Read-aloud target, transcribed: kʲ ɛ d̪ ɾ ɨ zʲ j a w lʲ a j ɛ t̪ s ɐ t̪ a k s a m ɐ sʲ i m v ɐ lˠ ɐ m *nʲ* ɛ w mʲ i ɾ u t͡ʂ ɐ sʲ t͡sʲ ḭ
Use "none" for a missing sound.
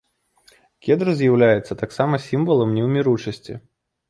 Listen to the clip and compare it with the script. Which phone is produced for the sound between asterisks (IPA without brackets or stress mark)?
nʲ